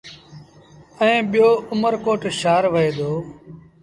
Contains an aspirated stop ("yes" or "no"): no